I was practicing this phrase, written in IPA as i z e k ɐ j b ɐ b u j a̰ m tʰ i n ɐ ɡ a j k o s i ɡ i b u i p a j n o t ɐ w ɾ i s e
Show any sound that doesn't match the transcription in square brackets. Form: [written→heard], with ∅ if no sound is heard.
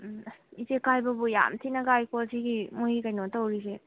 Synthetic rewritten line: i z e k [ɐ→a] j b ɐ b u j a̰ m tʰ i n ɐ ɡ a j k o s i ɡ i [b→m] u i [p→k] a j n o t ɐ w ɾ i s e

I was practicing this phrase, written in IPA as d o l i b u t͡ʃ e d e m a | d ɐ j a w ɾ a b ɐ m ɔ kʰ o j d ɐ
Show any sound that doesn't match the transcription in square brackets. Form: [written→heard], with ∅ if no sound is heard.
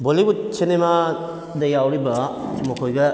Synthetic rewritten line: [d→b] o l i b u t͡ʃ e [d→n] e m a | d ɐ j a w ɾ [a→i] b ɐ m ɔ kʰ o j [d→ɡ] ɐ

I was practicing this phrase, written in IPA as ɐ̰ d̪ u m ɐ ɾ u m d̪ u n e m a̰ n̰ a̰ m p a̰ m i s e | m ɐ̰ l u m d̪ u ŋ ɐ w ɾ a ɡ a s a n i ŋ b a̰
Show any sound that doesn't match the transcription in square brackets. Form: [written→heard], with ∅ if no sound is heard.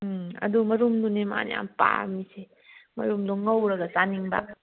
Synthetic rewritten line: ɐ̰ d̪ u m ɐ ɾ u m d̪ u n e m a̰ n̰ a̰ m p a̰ m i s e | m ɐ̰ [l→ɾ] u m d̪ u ŋ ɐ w ɾ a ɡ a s a n i ŋ b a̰

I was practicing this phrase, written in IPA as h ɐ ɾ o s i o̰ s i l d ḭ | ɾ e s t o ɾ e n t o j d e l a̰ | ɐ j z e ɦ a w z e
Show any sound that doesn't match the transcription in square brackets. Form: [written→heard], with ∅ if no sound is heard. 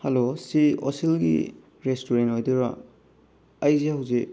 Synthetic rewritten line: h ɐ [ɾ→l] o s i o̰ s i l [d→ɡ] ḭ | ɾ e s t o ɾ e n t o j d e [l→ɾ] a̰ | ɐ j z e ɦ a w z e

